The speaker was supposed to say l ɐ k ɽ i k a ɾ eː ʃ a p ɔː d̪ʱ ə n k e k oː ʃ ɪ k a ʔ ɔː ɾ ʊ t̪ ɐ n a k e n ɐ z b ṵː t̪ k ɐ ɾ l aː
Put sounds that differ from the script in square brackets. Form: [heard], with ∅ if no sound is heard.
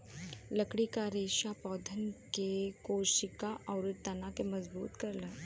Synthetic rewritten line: l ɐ k ɽ i k a ɾ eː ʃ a p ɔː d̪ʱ ə n k e k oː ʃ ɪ k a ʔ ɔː ɾ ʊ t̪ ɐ n a k e [m] ɐ z b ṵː t̪ k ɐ ɾ l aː